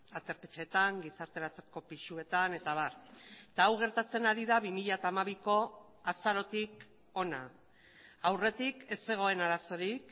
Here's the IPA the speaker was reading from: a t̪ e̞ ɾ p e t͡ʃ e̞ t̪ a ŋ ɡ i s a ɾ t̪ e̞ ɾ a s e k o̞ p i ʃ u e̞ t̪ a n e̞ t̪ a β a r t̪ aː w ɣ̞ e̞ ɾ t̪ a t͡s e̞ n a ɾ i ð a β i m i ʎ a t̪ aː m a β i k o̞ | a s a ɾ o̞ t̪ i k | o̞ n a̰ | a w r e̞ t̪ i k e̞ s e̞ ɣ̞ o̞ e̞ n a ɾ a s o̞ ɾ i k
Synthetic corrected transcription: a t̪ e̞ ɾ p e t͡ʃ e̞ t̪ a ŋ ɡ i s a ɾ t̪ e̞ ɾ a t͡s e k o̞ p i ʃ u e̞ t̪ a n e̞ t̪ a β a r t̪ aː w ɣ̞ e̞ ɾ t̪ a t͡s e̞ n a ɾ i ð a β i m i ʎ a t̪ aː m a β i k o̞ | a s a ɾ o̞ t̪ i k | o̞ n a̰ | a w r e̞ t̪ i k e̞ s e̞ ɣ̞ o̞ e̞ n a ɾ a s o̞ ɾ i k